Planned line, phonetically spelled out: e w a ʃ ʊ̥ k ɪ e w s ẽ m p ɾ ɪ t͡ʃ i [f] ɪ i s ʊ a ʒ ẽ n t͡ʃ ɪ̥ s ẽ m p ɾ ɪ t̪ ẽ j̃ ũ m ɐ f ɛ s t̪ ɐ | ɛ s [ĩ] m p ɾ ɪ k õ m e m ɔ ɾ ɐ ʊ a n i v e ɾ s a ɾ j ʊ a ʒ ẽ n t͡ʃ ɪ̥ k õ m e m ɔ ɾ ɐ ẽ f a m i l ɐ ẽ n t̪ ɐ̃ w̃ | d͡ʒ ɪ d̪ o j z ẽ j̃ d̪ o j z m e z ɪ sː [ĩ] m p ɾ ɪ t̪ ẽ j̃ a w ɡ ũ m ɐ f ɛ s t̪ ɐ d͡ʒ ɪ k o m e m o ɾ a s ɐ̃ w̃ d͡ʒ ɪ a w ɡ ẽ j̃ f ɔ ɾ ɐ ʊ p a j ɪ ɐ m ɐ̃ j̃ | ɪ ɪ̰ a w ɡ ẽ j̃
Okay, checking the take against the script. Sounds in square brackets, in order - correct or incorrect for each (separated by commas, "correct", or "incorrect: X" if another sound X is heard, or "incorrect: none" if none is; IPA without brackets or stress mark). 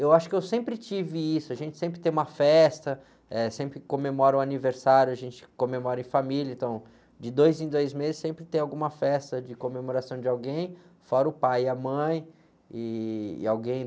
incorrect: v, incorrect: ẽ, incorrect: ẽ